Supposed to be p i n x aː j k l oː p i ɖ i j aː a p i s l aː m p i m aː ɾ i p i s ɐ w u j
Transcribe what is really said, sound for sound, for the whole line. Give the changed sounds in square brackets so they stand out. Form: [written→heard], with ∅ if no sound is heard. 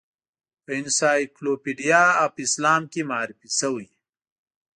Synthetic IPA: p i n [x→s] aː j k l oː p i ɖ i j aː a p i s l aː m [p→k] i m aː ɾ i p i s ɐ w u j